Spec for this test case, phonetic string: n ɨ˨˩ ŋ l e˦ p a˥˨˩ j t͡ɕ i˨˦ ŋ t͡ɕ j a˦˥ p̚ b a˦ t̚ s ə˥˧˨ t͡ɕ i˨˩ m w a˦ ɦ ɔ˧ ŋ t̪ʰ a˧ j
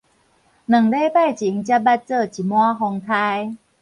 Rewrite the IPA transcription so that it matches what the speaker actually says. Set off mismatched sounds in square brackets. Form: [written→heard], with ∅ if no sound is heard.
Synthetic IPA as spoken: n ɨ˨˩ ŋ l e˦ p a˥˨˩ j t͡ɕ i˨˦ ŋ t͡ɕ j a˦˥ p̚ b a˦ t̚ [s→t͡s] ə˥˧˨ t͡ɕ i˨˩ m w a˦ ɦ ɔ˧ ŋ t̪ʰ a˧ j